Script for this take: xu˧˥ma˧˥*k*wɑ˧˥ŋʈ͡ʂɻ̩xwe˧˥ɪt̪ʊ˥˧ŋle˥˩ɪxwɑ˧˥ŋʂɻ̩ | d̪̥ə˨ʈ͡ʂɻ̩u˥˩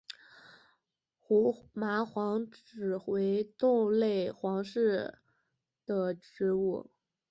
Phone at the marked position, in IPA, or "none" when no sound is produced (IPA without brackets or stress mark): x